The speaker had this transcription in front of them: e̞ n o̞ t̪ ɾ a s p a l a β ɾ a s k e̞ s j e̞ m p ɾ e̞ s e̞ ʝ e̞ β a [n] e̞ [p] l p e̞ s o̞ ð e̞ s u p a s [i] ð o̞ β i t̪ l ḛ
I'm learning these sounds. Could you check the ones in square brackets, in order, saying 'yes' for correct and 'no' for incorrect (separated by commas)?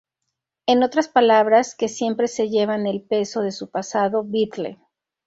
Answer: yes, no, no